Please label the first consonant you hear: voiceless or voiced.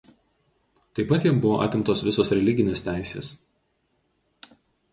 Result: voiceless